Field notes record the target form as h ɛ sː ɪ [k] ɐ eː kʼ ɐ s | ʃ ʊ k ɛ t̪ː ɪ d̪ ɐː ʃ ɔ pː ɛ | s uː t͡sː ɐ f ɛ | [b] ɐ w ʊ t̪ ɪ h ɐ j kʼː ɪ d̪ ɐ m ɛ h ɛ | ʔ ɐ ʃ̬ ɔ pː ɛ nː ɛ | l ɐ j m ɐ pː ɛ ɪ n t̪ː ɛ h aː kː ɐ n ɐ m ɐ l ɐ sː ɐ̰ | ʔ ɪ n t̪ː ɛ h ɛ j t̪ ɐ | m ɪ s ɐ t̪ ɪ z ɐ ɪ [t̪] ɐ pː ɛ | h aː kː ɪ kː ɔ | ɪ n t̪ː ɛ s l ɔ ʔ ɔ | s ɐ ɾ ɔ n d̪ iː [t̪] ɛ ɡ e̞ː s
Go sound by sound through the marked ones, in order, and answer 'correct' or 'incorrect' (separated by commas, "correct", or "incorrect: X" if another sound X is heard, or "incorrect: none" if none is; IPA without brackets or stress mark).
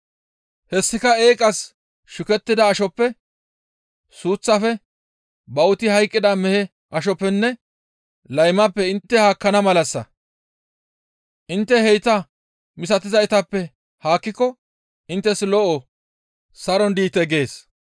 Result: correct, correct, correct, correct